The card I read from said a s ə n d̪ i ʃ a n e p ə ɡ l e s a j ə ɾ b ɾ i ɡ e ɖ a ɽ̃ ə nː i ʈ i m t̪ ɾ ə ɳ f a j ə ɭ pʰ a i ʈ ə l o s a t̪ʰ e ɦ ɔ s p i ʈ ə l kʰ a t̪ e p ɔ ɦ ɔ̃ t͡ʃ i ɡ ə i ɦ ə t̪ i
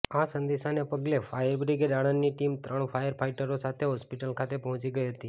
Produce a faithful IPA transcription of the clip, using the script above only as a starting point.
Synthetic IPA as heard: a s ə n d̪ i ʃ a n e p ə ɡ l e f a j ə ɾ b ɾ i ɡ e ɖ a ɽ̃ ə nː i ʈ i m t̪ ɾ ə ɳ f a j ə ɾ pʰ a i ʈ ə ɾ o s a t̪ʰ e ɦ ɔ s p i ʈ ə l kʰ a t̪ e p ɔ ɦ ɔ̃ t͡ʃ i ɡ ə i ɦ ə t̪ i